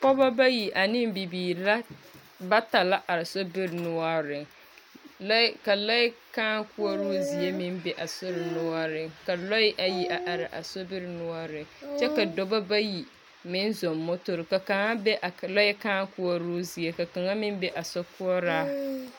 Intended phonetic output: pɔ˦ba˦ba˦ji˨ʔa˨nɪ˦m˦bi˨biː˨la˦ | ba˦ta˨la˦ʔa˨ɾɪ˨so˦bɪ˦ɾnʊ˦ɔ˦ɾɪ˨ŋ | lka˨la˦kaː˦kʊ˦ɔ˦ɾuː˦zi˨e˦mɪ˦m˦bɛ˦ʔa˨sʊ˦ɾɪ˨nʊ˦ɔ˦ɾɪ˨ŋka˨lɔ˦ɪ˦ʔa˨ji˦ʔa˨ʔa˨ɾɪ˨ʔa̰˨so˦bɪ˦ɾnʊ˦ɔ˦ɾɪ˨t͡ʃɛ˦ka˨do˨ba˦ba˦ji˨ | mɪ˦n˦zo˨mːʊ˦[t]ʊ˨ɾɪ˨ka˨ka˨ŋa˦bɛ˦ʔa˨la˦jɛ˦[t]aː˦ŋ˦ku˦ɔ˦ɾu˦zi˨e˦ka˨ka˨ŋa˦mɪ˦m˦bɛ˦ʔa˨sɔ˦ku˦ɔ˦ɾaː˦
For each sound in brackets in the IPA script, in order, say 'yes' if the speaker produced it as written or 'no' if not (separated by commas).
yes, no